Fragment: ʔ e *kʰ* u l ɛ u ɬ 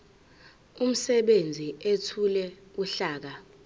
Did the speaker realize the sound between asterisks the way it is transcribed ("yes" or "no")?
no